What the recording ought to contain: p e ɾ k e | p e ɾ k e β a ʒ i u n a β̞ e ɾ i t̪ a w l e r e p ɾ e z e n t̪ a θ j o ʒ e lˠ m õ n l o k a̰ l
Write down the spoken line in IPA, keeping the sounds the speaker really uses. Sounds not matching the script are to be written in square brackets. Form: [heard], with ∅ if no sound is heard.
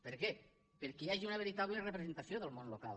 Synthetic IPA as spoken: p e ɾ k e | p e ɾ k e [∅] a ʒ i u n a β̞ e ɾ i t̪ a [β] l e r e p ɾ e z e n t̪ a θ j o [ð] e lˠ m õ n l o k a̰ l